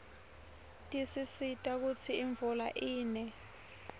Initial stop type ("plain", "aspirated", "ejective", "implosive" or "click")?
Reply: ejective